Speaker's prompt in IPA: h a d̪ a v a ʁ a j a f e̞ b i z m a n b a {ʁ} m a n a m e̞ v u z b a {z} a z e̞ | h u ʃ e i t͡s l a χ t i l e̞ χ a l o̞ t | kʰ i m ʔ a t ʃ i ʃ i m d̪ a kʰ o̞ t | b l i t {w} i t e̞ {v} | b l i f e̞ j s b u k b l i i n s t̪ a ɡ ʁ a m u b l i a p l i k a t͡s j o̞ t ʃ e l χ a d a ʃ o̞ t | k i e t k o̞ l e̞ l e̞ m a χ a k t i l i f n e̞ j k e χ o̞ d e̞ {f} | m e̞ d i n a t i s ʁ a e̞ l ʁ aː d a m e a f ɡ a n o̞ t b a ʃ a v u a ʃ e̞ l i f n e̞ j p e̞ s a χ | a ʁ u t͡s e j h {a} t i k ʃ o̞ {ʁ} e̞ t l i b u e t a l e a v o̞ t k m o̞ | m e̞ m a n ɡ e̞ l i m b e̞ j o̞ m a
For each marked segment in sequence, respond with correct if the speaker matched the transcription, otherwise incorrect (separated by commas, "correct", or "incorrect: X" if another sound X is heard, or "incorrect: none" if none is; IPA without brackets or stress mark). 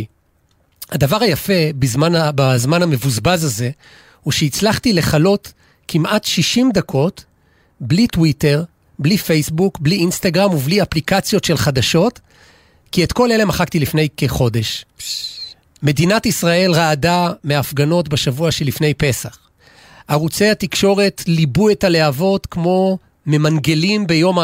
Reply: incorrect: z, correct, correct, incorrect: ʁ, incorrect: ʃ, correct, correct